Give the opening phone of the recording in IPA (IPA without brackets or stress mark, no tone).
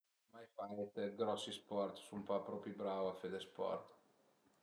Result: m